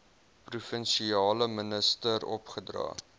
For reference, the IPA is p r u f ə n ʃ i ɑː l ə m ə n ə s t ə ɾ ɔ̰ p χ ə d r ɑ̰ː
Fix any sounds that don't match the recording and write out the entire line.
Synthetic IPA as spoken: p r u f ə n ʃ i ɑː l ə m ə n ə s t ə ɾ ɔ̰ p χ ə d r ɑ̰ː